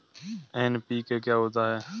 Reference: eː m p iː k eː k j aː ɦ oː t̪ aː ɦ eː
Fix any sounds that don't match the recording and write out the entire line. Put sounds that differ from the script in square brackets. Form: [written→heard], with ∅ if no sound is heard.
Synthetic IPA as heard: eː [m→n] p iː k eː k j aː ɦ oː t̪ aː ɦ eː